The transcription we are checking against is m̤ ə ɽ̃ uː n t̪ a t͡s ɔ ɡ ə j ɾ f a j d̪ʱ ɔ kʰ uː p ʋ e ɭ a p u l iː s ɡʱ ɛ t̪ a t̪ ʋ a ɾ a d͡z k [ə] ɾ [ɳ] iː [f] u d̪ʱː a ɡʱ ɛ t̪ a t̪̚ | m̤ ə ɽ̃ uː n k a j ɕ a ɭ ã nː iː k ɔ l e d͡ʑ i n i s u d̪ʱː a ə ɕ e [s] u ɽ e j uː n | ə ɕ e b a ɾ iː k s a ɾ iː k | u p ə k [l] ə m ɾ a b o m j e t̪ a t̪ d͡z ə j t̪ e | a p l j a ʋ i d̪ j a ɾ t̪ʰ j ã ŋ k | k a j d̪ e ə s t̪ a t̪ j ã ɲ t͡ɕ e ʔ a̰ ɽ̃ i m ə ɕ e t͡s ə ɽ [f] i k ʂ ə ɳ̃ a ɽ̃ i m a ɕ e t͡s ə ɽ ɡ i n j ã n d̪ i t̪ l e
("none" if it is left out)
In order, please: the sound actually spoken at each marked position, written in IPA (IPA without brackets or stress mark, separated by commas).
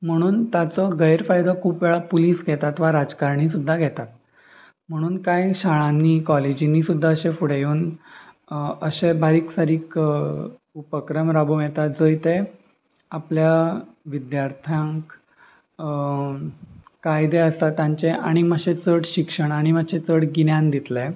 a, ɳ, s, f, ɾ, ɕ